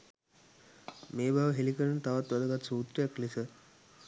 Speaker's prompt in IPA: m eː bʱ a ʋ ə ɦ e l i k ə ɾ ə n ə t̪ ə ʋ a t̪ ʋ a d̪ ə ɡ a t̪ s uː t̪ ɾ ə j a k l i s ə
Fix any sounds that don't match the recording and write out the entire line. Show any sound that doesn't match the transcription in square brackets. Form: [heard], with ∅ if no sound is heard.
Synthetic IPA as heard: m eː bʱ a ʋ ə ɦ e l i k ə ɾ ə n ə t̪ [a] ʋ a t̪ ʋ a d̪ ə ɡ a t̪ s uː t̪ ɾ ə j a k l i s ə